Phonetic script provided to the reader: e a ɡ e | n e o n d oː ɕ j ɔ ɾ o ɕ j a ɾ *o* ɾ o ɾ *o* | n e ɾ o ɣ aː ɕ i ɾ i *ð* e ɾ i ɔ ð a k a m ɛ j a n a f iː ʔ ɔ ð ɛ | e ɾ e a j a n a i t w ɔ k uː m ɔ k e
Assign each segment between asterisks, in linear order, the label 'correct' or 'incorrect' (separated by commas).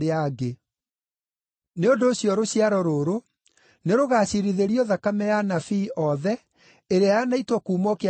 incorrect, correct, correct